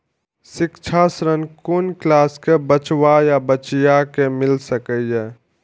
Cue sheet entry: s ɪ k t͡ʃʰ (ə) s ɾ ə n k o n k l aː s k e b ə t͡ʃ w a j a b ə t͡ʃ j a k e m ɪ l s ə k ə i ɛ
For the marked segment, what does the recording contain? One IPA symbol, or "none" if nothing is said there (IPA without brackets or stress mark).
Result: a